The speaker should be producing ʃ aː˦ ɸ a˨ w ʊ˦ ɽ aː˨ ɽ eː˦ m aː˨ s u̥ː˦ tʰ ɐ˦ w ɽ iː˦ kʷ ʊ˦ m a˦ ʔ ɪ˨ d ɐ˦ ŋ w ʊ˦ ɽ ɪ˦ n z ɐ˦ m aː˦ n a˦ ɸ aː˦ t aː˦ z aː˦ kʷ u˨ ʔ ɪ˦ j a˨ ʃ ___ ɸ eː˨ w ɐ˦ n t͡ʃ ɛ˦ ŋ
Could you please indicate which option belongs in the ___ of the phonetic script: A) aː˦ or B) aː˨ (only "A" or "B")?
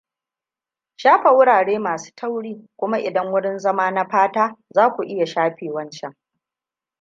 A